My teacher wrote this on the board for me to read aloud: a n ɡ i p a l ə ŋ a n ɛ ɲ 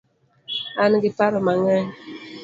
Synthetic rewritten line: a n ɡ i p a ɾ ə m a ŋ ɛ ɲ